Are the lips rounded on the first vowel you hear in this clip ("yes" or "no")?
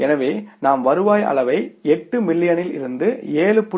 no